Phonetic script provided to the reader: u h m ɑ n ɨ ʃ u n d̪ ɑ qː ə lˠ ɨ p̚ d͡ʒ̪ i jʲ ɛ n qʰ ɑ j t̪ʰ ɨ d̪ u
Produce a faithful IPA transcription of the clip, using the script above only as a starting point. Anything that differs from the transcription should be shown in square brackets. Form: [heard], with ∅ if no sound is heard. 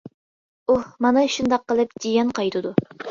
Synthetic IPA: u h m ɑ n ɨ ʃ u n d̪ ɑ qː ə lˠ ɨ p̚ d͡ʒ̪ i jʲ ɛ n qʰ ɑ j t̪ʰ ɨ d̪ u